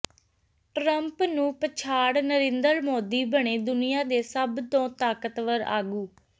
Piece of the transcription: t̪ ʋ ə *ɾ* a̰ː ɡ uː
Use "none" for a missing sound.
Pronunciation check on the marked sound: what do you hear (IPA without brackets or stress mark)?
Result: ɾ